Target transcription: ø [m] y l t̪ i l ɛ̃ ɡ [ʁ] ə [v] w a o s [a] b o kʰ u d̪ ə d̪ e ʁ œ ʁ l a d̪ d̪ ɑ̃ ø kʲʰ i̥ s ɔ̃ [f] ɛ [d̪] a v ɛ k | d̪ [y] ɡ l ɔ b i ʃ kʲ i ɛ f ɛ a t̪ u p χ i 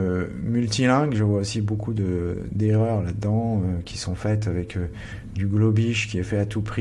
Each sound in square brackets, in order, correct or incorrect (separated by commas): correct, incorrect, correct, incorrect, correct, incorrect, correct